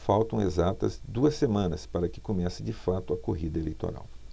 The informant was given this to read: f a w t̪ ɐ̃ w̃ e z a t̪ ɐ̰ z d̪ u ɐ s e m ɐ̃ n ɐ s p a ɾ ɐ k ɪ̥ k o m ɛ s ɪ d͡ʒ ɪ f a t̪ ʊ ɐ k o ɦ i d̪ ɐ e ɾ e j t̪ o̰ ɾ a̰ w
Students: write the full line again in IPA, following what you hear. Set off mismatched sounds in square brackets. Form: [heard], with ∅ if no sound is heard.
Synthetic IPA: f a w t̪ ɐ̃ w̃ e z a t̪ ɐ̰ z d̪ u ɐ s e m ɐ̃ n ɐ s p a ɾ ɐ k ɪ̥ k o m ɛ s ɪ d͡ʒ ɪ f a t̪ ʊ ɐ k o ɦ i d̪ ɐ e [l] e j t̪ o̰ ɾ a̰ w